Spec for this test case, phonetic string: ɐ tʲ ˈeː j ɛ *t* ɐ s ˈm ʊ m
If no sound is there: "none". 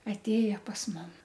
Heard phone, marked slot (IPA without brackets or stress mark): p